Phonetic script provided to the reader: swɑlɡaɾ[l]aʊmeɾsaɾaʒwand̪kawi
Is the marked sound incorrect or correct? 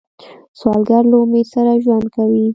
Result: correct